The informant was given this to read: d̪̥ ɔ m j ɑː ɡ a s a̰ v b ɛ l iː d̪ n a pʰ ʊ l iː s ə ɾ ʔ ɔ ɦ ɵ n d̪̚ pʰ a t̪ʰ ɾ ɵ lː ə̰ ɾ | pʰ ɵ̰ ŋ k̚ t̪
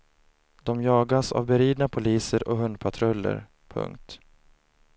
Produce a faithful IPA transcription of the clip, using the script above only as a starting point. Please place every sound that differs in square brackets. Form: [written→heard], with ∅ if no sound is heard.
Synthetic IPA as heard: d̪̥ ɔ m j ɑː ɡ a s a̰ v b ɛ [l→ɾ] iː d̪ n a pʰ ʊ l iː s ə ɾ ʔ ɔ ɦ ɵ n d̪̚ pʰ a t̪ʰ ɾ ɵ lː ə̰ ɾ | pʰ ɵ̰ ŋ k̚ t̪